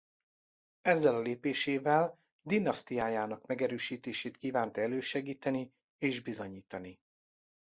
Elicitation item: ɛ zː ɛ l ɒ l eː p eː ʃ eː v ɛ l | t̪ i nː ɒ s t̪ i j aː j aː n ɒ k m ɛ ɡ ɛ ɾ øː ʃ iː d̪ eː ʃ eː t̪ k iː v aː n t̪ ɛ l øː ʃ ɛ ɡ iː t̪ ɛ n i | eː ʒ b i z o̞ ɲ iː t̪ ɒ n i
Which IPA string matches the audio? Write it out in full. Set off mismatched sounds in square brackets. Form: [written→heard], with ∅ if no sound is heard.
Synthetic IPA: ɛ zː ɛ l ɒ l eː p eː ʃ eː v ɛ l | [t̪→d̪] i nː ɒ s t̪ i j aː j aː n ɒ k m ɛ ɡ ɛ ɾ øː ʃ iː [d̪→t̪] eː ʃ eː t̪ k iː v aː n t̪ ɛ l øː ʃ ɛ ɡ iː t̪ ɛ n i | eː ʒ b i z o̞ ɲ iː t̪ ɒ n i